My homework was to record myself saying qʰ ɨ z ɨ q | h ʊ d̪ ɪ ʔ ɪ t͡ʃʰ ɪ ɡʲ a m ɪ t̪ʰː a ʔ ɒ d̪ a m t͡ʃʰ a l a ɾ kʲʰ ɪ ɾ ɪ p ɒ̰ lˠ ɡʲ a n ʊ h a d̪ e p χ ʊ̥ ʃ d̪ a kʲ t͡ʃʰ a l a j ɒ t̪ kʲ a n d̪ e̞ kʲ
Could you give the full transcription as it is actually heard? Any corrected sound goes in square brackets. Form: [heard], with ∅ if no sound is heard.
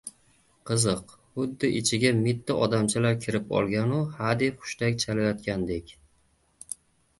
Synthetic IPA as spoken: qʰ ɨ z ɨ q | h ʊ [d̪ː] ɪ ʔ ɪ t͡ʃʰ ɪ ɡʲ a m ɪ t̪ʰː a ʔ ɒ d̪ a m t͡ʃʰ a l a ɾ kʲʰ ɪ ɾ ɪ p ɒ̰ lˠ ɡʲ a n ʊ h a d̪ e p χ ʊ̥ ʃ [t̪] a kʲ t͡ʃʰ a l a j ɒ t̪ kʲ a n d̪ e̞ kʲ

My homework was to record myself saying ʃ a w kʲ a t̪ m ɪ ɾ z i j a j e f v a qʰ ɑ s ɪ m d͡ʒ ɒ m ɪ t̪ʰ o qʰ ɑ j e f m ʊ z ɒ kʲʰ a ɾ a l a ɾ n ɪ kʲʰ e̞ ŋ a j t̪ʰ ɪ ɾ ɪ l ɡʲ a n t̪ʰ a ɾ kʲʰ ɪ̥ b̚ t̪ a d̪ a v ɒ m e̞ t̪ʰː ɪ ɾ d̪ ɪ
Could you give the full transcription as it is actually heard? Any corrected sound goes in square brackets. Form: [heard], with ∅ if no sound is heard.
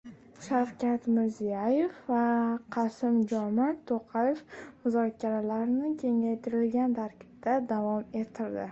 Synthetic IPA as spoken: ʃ a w kʲ a t̪ m ɪ ɾ z i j a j e f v a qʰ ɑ s ɪ m d͡ʒ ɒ m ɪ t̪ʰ o qʰ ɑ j e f m ʊ z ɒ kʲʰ a ɾ a l a ɾ n ɪ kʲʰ e̞ ŋ a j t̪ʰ ɪ ɾ ɪ l ɡʲ a n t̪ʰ a ɾ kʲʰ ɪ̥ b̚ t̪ a d̪ a v ɒ m e̞ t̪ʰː ɪ ɾ d̪ ɪ

